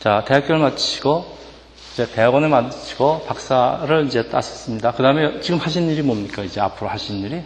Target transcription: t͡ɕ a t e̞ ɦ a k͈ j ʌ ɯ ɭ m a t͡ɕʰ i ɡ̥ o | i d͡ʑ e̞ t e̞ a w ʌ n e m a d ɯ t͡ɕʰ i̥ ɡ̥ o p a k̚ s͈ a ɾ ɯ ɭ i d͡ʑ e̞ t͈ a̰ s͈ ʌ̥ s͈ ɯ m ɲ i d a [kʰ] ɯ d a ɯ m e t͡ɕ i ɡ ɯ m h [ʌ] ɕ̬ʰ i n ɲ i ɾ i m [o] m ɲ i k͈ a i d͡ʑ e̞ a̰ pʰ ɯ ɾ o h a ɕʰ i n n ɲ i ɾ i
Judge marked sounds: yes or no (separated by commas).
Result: no, no, yes